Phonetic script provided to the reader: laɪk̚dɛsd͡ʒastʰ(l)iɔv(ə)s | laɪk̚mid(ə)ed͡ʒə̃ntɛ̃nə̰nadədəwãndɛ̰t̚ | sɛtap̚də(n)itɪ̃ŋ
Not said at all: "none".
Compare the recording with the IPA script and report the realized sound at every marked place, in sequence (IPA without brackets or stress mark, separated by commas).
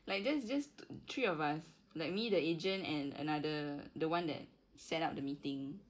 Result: ɹ, a, ə, m